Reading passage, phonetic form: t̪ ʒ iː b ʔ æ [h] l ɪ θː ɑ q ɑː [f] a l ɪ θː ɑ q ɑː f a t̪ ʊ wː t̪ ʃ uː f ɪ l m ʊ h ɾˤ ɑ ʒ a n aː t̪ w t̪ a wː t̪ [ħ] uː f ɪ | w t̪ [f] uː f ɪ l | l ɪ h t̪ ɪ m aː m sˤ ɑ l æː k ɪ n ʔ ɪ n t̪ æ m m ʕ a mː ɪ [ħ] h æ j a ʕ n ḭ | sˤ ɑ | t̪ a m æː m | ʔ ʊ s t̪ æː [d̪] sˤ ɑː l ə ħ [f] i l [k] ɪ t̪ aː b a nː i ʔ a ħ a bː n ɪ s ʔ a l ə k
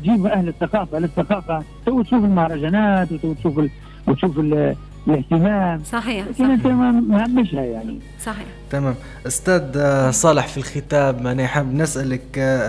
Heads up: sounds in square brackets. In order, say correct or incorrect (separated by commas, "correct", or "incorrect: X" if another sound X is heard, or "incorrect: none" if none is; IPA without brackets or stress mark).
correct, correct, incorrect: ʃ, incorrect: ʃ, incorrect: ʃ, correct, correct, incorrect: x